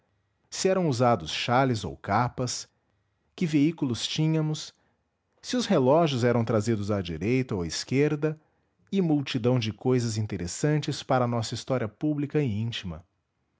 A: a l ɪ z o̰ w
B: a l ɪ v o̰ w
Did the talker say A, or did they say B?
A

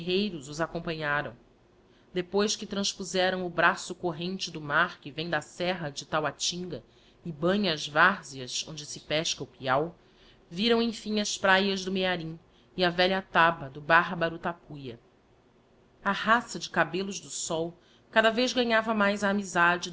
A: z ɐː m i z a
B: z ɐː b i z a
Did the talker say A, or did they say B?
A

